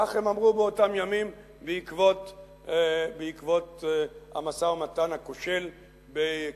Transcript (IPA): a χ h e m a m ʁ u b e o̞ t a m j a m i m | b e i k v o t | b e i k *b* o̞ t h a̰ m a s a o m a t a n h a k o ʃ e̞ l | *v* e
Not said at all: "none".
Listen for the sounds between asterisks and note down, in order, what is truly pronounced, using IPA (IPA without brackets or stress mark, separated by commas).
v, b